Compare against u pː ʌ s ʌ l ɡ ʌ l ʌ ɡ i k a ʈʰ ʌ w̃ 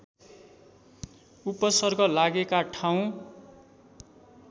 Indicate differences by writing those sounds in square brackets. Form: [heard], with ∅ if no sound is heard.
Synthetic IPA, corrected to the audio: u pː ʌ s ʌ [r] ɡ ʌ l [a] ɡ [e] k a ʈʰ [a] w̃